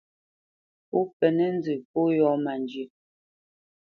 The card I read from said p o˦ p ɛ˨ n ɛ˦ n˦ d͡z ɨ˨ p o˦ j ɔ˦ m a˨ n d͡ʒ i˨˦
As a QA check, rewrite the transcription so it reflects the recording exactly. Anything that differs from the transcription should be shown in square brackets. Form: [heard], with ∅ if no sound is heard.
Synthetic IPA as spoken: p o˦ p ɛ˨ n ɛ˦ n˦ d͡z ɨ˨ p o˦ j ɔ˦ m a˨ n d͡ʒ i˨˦